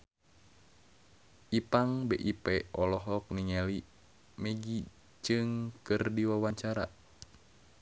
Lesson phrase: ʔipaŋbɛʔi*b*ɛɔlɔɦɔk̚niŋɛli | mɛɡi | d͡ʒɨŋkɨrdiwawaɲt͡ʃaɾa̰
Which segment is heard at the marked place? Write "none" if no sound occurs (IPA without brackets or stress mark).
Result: p